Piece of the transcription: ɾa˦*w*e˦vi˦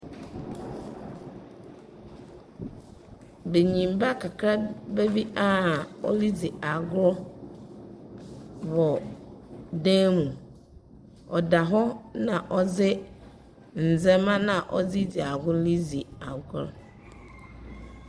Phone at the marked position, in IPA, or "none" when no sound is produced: b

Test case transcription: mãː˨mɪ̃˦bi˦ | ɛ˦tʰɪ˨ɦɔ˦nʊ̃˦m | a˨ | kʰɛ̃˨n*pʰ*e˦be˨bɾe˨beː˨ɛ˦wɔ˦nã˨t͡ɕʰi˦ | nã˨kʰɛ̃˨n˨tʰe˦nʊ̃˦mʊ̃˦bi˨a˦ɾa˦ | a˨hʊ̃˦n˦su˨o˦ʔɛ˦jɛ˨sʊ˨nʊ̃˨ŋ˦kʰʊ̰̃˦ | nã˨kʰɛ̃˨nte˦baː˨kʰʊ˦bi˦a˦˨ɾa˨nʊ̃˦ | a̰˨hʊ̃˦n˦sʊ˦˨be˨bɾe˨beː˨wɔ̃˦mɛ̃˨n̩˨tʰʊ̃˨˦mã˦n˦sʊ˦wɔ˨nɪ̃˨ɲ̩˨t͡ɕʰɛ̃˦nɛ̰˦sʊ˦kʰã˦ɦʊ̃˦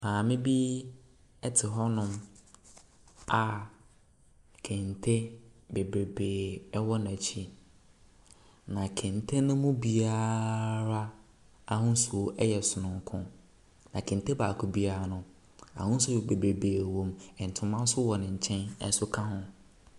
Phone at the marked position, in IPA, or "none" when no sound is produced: tʰ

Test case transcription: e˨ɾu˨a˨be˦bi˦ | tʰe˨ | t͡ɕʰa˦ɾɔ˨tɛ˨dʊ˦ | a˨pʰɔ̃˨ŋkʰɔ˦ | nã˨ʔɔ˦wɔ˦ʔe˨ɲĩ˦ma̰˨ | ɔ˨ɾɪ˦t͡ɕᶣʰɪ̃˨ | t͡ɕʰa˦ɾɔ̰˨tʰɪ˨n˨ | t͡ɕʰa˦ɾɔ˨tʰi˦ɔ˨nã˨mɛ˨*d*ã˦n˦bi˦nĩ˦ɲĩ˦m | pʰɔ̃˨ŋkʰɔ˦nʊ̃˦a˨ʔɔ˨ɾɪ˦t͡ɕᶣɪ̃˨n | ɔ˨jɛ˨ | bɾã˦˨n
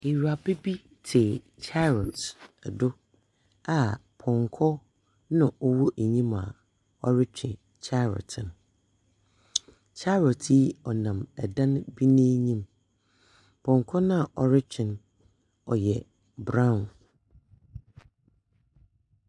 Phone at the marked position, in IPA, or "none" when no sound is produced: d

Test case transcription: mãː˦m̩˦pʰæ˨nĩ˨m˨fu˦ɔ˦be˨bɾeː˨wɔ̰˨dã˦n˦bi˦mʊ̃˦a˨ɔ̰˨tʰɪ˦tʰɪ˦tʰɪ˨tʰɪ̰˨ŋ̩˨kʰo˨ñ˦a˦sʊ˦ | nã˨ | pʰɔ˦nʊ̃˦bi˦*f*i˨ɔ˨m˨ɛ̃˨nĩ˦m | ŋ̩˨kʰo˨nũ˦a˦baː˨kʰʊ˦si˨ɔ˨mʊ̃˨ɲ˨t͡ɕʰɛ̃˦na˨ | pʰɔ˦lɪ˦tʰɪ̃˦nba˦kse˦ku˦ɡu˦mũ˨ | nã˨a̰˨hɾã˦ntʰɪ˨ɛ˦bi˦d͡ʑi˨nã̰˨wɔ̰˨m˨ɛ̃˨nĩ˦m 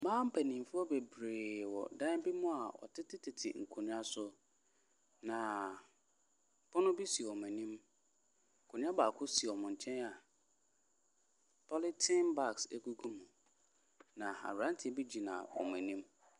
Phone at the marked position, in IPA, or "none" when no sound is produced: s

